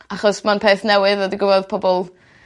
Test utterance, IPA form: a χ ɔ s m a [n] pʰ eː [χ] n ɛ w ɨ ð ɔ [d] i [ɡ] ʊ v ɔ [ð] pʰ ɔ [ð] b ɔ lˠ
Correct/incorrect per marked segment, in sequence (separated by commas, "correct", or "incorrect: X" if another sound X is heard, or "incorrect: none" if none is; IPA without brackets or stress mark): correct, incorrect: θ, correct, correct, correct, incorrect: none